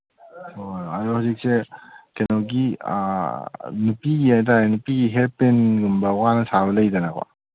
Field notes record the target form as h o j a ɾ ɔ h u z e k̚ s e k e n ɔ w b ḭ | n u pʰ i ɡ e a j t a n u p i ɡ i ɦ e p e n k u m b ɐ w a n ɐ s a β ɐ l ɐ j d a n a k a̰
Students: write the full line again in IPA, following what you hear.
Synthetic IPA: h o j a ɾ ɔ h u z i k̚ s e k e n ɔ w ɡ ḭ | n u p i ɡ i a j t a n u p i ɡ i ɦ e p e n ɡ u m b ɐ w a n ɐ s a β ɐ l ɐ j d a n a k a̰